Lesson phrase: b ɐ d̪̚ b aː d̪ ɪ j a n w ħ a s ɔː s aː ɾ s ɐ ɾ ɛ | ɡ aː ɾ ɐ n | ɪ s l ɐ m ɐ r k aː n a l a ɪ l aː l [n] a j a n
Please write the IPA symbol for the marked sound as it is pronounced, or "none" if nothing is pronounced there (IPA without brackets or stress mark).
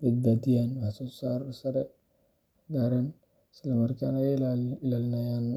n